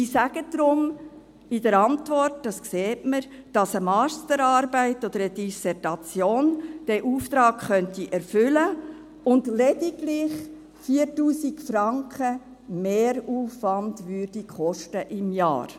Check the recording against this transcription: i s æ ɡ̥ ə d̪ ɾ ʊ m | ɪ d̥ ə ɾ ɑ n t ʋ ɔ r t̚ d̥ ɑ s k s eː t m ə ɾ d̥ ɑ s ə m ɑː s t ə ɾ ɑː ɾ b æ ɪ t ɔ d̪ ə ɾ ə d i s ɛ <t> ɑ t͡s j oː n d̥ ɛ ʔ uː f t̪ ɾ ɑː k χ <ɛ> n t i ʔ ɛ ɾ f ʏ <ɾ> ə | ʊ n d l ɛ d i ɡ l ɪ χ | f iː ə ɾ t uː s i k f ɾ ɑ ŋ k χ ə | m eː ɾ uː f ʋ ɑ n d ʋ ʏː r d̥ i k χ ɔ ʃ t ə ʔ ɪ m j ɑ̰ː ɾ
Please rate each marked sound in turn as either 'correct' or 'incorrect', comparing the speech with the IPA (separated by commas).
correct, incorrect, incorrect